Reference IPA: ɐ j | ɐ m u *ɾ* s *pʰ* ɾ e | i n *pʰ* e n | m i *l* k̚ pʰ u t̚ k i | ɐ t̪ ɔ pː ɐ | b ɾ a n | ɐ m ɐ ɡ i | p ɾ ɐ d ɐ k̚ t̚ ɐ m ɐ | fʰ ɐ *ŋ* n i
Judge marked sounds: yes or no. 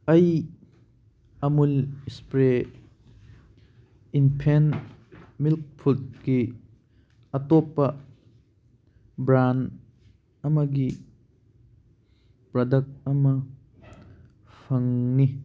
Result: no, no, yes, yes, yes

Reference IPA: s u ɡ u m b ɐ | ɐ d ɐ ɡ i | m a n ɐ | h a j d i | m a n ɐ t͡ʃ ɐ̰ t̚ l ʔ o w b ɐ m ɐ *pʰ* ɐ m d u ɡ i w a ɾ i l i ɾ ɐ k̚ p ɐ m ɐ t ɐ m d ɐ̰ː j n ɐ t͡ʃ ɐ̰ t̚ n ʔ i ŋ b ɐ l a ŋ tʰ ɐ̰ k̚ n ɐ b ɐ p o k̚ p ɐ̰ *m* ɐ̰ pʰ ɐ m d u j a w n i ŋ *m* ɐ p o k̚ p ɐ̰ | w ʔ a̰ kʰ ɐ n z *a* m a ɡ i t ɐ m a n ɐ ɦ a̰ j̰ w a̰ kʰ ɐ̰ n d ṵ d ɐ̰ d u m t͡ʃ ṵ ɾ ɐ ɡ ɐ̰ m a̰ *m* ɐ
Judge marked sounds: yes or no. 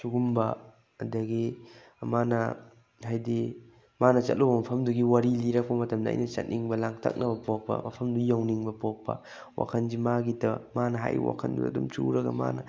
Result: yes, yes, no, no, no

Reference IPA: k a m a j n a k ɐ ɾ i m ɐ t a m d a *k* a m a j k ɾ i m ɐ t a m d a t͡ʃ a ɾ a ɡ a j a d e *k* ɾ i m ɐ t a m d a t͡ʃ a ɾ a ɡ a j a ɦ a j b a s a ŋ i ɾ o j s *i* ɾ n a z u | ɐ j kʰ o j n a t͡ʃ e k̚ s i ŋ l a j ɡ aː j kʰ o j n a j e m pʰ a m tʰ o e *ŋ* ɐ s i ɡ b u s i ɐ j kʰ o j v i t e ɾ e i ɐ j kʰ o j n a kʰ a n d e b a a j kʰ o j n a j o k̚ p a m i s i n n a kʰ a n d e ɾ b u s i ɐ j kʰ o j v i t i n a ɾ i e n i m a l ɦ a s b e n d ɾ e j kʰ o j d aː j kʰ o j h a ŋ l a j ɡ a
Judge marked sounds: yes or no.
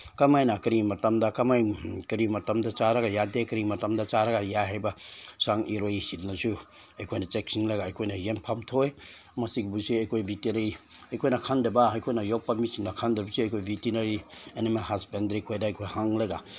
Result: yes, yes, yes, no

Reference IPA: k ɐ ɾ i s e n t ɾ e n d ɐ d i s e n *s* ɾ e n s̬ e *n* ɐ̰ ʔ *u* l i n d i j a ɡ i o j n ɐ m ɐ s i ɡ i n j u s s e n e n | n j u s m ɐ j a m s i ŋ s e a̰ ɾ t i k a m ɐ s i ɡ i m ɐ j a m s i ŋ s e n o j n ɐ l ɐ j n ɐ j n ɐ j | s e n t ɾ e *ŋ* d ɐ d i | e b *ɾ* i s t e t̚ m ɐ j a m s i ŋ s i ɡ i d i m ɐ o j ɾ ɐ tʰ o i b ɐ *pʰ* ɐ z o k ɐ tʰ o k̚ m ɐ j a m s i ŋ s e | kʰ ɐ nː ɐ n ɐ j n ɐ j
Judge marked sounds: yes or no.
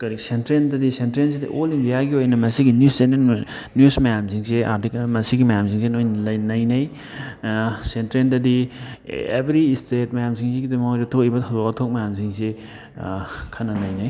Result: no, no, no, no, yes, no

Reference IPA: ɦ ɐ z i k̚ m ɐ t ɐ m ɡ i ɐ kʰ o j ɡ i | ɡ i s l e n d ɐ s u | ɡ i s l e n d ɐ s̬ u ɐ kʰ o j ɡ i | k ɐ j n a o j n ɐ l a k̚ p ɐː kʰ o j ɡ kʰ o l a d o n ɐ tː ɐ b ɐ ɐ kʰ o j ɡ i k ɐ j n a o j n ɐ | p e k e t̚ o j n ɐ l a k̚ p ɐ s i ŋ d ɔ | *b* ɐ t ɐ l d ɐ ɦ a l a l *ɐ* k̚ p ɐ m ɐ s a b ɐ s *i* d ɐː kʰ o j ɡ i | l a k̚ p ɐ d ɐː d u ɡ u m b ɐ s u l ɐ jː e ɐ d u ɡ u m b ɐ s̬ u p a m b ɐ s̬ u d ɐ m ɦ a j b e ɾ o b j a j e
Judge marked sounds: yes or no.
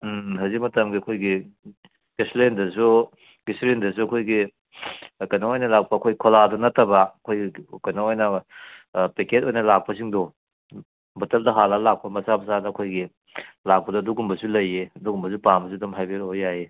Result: yes, no, no

